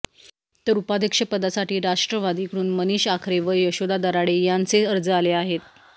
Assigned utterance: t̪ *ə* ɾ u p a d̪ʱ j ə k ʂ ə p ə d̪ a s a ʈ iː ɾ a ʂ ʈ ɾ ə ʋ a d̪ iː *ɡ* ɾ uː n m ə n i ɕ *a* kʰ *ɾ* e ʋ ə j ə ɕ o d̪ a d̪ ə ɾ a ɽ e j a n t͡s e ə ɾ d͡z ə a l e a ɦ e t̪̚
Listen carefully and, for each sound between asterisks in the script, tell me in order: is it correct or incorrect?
correct, incorrect, correct, correct

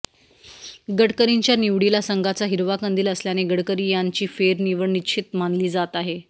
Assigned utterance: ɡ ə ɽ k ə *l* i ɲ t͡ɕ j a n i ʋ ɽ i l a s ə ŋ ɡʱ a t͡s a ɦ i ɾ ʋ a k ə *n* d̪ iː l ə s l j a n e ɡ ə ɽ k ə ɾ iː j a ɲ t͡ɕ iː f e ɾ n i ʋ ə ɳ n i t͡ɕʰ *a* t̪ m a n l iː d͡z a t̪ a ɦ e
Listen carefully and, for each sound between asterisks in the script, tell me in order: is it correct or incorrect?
incorrect, correct, incorrect

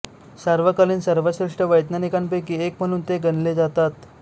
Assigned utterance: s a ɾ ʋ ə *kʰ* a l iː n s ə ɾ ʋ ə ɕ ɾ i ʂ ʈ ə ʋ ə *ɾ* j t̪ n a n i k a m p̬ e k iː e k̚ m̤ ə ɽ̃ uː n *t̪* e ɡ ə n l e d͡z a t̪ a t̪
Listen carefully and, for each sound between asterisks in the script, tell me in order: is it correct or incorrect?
incorrect, incorrect, correct

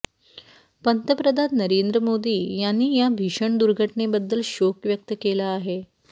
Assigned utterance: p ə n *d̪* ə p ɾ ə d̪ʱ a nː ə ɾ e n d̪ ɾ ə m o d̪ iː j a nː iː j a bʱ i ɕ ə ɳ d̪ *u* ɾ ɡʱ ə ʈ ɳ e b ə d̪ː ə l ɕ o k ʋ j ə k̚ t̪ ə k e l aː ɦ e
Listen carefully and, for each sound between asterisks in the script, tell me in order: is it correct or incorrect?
incorrect, correct

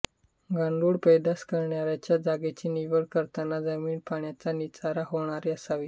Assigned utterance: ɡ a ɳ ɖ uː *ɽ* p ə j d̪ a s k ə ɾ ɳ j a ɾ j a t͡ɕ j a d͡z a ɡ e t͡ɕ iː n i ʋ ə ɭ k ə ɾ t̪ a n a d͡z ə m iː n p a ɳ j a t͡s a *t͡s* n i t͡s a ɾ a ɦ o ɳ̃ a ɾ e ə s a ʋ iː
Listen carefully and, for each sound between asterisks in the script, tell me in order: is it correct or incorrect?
correct, incorrect

